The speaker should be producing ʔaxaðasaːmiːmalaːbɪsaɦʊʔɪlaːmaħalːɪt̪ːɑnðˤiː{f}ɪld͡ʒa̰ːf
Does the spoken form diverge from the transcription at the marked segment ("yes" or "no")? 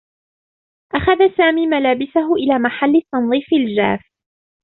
no